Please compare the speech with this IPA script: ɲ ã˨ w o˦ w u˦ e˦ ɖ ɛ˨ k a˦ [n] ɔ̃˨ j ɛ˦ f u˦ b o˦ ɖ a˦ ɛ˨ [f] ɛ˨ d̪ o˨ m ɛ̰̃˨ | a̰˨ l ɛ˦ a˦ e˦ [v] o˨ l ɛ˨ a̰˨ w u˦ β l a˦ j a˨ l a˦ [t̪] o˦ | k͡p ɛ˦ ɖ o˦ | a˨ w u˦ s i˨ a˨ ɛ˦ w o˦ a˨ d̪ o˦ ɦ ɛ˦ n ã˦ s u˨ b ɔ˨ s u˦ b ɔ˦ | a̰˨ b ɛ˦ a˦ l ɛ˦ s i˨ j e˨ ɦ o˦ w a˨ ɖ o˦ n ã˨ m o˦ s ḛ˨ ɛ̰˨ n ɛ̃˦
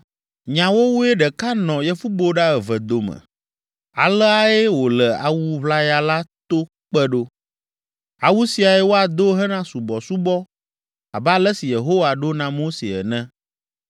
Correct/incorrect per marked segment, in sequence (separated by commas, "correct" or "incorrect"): correct, incorrect, incorrect, correct